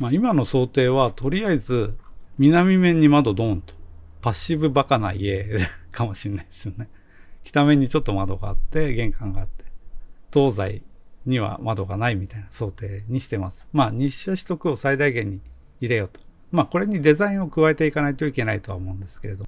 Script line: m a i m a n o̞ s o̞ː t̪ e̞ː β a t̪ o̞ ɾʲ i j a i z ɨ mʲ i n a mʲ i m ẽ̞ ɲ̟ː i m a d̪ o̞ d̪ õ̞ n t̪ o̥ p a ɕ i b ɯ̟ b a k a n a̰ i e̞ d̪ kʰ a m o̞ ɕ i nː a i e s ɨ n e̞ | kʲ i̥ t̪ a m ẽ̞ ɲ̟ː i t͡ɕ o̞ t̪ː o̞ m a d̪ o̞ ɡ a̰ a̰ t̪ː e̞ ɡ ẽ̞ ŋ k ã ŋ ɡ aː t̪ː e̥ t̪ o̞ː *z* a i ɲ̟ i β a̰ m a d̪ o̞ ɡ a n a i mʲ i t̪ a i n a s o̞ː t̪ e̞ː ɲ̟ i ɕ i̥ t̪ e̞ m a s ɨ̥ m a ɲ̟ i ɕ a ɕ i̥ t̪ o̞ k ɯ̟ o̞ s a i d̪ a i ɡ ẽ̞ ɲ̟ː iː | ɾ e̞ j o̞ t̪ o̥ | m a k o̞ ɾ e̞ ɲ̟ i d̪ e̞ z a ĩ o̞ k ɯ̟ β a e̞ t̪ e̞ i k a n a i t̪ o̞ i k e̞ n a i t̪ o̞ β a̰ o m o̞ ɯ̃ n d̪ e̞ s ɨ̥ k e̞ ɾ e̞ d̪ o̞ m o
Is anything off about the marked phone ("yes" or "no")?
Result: no